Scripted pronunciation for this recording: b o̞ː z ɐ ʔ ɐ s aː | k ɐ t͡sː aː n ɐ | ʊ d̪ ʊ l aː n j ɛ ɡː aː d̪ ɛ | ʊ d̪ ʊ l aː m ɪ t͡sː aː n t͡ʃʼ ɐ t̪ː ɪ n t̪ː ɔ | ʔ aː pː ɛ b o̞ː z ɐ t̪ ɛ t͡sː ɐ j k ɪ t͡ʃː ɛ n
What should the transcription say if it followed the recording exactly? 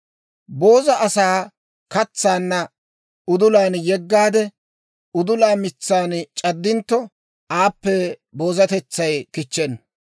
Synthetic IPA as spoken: b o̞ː z ɐ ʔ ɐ s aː | k ɐ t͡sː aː nː ɐ | ʊ d̪ ʊ l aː n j ɛ ɡː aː d̪ ɛ | ʊ d̪ ʊ l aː m ɪ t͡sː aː n t͡ʃʼ ɐ d̪ː ɪ n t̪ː ɔ | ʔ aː pː ɛ b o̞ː z ɐ t̪ ɛ t͡sː ɐ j k ɪ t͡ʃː ɛ n